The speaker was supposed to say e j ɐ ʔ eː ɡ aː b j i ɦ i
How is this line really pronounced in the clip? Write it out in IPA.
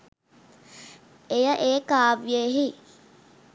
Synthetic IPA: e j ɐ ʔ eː k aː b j e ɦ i